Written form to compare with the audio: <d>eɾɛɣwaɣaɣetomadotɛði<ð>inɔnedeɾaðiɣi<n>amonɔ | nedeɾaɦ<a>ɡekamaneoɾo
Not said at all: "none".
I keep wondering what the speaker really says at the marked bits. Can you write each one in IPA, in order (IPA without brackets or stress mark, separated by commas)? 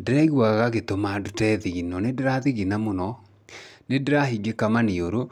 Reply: d, ɣ, n, i